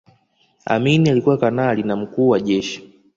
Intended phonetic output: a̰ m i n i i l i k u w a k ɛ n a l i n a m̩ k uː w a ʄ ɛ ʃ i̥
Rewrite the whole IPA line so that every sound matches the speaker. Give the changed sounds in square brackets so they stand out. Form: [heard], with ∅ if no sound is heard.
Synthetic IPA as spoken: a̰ m i n i [a] l i k u w a k [a] n a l i n a m̩ k uː w a ʄ ɛ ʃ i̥

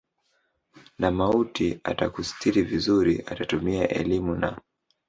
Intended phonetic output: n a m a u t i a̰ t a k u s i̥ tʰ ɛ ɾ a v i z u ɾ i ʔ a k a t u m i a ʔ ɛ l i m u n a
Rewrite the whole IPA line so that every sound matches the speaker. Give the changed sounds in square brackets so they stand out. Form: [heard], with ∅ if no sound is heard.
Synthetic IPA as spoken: n a m a u t i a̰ t a k u s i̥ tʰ [i] ɾ [i] v i z u ɾ i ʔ a [t] a t u m i a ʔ ɛ l i m u n a

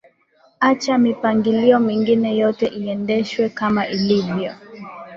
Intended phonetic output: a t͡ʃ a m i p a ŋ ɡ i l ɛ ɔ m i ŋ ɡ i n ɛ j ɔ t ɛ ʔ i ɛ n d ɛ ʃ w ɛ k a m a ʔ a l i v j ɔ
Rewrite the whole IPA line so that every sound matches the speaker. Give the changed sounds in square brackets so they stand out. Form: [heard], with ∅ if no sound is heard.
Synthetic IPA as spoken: a t͡ʃ a m i p a ŋ ɡ i l [i] ɔ m i ŋ ɡ i n ɛ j ɔ t ɛ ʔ i ɛ n d ɛ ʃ w ɛ k a m a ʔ [i] l i v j ɔ

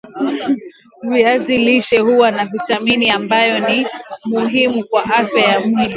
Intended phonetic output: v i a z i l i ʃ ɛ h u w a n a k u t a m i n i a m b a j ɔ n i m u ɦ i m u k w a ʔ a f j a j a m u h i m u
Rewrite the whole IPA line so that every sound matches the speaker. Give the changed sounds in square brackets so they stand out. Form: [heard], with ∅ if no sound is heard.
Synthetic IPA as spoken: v i a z i l i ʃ ɛ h u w a n a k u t a m i n i a m b a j ɔ n i m u ɦ i m u k w a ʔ a f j a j a m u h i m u

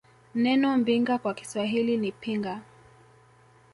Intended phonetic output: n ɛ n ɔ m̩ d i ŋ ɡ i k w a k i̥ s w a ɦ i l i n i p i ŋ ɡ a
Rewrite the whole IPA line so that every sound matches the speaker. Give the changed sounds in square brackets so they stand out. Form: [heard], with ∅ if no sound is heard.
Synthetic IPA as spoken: n ɛ n ɔ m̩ [b] i ŋ ɡ [a] k w a k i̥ s w a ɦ i l i n i p i ŋ ɡ a

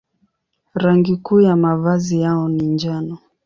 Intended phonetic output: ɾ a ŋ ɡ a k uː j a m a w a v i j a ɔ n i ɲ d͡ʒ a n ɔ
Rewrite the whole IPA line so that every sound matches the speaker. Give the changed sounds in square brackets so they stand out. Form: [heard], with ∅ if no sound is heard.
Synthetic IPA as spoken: ɾ a ŋ ɡ [i] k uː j a m a [v] a [z] i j a ɔ n i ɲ d͡ʒ a n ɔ

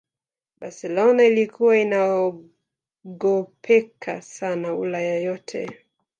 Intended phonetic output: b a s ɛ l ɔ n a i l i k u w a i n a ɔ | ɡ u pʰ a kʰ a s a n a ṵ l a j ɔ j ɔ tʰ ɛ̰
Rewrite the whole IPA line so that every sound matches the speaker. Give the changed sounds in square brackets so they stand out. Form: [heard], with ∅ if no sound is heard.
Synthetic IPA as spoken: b a s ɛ l ɔ n a i l i k u w a i n a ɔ | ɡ [ɔ] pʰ [ɛ] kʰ a s a n a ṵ l a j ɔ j ɔ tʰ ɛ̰

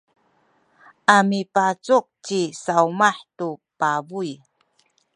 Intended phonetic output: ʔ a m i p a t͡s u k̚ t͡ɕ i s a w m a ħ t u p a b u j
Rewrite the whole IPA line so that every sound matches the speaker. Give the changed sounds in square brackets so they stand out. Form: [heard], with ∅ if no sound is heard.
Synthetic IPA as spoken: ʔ a m i p a t͡s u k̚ t͡ɕ i s a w m a ħ t u p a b u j

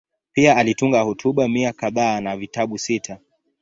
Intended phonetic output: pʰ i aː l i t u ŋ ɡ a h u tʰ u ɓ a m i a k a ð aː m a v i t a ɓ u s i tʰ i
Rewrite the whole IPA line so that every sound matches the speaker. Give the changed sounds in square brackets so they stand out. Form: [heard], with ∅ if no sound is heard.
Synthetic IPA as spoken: [p] i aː l i t u ŋ ɡ a h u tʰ u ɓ a m i a k a ð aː [n] a v i t a ɓ u s i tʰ [a]

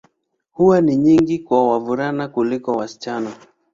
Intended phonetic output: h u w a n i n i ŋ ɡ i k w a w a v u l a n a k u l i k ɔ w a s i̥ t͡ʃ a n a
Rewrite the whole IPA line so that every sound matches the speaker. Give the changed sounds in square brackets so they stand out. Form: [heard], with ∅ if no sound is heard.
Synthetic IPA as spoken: h u w a n i [ɲ] i ŋ ɡ i k w a w a v u [ɾ] a n a k u l i k ɔ w a s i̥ t͡ʃ a n a

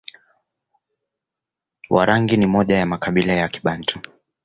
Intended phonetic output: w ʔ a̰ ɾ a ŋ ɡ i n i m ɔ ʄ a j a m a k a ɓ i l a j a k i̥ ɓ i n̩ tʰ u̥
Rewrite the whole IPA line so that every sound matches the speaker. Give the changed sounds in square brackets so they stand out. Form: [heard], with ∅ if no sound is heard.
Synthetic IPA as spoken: w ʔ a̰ ɾ a ŋ ɡ i n i m ɔ ʄ a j a m a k a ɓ i l a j a k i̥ ɓ [a] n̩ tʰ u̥

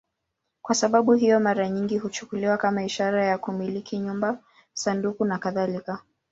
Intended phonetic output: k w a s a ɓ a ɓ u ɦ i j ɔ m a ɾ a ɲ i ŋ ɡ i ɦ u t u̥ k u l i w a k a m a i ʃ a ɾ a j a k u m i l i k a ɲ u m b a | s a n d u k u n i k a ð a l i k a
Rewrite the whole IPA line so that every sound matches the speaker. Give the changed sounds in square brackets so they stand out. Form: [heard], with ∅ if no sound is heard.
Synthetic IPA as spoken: k w a s a ɓ a ɓ u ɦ i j ɔ m a ɾ a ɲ i ŋ ɡ i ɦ u [t͡ʃ] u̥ k u l i w a k a m a i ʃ a ɾ a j a k u m i l i k [i] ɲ u m b a | s a n d u k u n [a] k a ð a l i k a

